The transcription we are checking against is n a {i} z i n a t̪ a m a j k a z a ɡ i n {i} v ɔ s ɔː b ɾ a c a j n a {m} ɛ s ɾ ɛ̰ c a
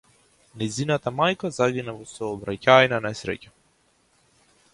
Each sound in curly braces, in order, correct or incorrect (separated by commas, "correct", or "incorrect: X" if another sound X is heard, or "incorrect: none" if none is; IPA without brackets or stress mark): incorrect: j, incorrect: a, incorrect: n